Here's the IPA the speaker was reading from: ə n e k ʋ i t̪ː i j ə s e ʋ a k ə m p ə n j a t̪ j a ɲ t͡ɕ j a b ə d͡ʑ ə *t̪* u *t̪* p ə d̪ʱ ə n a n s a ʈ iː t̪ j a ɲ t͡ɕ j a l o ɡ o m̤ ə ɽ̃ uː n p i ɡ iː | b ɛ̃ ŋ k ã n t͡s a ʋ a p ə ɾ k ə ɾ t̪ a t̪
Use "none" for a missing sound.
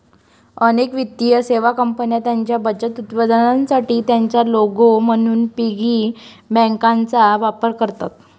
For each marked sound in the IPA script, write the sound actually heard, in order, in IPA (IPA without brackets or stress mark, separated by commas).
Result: t̪, t̪